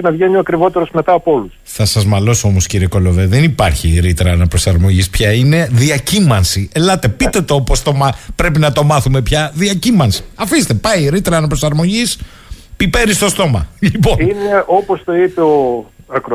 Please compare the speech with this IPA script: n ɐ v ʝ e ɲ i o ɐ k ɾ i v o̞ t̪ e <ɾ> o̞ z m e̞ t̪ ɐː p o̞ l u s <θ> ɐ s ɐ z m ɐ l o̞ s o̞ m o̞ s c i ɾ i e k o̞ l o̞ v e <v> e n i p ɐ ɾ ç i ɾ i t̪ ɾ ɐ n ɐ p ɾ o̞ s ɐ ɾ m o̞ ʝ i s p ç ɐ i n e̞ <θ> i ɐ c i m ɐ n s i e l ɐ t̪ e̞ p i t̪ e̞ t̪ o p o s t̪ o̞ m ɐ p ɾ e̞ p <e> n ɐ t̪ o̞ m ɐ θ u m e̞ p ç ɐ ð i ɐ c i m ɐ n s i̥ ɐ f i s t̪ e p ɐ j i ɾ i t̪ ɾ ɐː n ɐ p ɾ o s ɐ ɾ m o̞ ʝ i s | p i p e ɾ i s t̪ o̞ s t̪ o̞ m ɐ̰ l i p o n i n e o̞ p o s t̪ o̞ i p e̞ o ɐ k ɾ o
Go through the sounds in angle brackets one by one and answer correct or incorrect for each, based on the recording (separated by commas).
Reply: correct, correct, incorrect, incorrect, incorrect